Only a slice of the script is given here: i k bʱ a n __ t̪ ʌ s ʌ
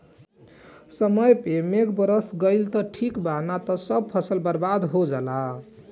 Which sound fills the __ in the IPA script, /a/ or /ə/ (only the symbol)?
a